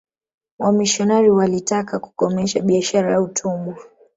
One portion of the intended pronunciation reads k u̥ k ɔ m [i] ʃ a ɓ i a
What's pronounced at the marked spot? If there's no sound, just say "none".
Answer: ɛ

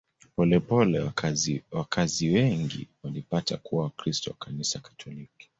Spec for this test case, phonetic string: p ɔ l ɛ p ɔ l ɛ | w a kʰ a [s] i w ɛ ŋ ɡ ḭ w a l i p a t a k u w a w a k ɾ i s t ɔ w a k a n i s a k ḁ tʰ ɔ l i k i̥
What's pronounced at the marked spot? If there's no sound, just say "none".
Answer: z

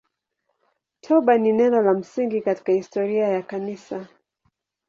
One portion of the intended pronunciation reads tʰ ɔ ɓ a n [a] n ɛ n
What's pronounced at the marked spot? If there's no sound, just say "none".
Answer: i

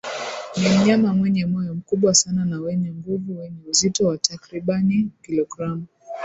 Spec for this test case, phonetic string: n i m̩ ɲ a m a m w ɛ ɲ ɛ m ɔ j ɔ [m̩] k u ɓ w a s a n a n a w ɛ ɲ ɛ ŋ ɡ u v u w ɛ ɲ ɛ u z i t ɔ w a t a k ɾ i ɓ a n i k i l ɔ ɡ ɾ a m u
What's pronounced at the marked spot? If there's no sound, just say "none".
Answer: m̩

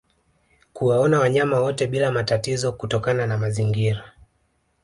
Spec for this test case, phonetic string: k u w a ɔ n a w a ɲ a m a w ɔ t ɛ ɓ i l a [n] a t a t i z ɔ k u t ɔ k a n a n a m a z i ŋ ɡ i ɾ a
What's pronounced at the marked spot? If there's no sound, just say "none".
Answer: m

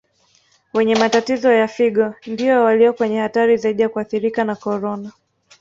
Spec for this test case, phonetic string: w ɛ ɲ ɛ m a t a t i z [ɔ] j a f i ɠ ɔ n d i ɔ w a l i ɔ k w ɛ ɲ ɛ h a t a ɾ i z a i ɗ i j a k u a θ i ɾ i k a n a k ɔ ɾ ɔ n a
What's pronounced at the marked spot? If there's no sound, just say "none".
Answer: ɔ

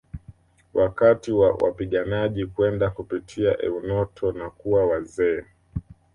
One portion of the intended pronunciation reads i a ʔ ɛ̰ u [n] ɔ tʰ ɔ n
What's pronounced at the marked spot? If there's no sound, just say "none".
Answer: n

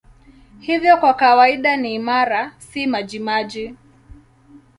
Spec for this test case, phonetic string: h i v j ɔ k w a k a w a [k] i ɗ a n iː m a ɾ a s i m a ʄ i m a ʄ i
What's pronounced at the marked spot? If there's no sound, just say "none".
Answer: none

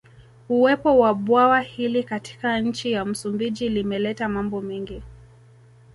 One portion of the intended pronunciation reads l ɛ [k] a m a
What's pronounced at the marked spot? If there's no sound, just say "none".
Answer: t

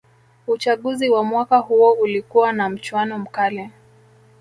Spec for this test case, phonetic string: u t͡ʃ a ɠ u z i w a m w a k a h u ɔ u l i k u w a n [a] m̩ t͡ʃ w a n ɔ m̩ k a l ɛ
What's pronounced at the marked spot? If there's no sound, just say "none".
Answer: a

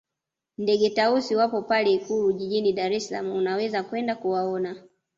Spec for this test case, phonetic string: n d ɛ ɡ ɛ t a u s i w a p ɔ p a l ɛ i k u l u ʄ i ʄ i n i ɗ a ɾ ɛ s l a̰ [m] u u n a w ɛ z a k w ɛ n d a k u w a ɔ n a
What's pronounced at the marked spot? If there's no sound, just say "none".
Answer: m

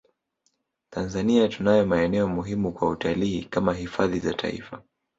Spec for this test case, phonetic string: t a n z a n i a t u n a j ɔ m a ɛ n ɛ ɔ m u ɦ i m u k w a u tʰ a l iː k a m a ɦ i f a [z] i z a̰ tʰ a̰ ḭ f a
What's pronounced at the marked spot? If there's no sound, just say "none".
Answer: ð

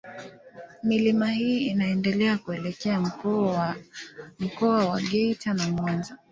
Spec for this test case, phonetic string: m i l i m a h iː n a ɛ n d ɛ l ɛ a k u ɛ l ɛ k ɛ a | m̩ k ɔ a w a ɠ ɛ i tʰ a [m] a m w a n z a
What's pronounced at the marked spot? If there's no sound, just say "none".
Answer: n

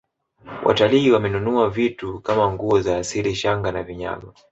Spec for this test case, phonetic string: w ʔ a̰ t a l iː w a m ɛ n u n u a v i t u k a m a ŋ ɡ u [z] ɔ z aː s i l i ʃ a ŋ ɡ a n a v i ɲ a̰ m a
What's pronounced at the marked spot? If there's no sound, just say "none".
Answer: none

